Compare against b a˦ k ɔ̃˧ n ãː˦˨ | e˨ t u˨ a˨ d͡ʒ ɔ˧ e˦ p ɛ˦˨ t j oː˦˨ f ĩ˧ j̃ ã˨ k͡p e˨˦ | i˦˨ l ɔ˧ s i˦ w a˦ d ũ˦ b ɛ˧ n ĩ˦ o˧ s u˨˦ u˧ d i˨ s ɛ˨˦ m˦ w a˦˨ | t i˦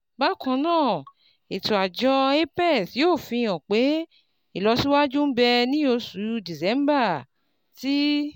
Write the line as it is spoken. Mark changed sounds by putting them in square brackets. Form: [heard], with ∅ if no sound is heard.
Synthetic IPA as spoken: b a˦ k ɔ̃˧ n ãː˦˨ | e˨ t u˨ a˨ d͡ʒ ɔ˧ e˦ p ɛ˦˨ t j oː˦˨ f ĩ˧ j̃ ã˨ k͡p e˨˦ | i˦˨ l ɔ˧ s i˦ w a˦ [d͡ʒ] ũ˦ b ɛ˧ n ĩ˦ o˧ s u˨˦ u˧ d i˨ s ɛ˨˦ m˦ [b] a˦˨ | t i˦